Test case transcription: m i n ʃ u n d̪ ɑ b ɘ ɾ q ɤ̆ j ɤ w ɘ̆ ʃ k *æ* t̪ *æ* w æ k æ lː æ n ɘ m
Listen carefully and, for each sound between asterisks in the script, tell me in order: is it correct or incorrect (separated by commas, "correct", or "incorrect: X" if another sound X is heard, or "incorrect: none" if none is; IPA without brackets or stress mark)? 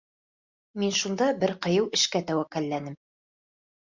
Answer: correct, correct